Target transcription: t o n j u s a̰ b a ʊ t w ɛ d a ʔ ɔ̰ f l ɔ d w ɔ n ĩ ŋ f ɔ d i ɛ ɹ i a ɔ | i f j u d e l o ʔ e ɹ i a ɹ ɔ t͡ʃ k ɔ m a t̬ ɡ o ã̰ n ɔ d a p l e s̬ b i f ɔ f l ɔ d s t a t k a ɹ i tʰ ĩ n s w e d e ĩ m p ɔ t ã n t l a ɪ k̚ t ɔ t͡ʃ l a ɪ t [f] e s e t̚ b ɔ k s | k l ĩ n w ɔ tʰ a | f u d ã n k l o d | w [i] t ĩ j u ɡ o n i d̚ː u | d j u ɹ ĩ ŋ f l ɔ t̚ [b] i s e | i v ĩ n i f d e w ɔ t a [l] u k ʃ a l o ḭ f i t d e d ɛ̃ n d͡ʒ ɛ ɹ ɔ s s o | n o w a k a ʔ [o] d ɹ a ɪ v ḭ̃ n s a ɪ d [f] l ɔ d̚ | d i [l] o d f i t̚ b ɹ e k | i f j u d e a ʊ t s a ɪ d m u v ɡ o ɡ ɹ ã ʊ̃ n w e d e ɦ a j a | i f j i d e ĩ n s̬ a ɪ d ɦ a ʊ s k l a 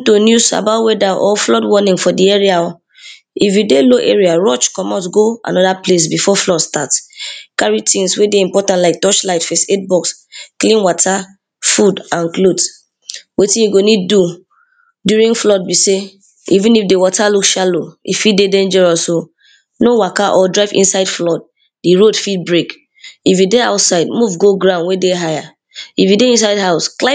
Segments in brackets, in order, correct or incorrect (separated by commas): correct, incorrect, correct, correct, incorrect, correct, incorrect